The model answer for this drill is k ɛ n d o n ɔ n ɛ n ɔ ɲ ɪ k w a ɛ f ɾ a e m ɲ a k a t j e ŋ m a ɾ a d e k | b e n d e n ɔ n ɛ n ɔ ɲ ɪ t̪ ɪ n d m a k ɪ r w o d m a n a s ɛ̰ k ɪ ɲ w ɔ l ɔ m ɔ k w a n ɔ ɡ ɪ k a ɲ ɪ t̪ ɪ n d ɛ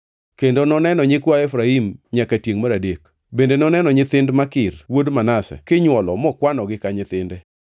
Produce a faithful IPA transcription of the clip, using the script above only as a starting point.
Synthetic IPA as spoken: k e n d o n ɔ n ɛ n ɔ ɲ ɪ k w a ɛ f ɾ a i m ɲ a k a t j e ŋ m a ɾ a d e k | b e n d e n ɔ n ɛ n ɔ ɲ ɪ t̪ ɪ n d m a k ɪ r w o d m a n a s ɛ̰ k ɪ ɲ w ɔ l ɔ m ɔ k w a n ɔ ɡ ɪ k a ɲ ɪ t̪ ɪ n d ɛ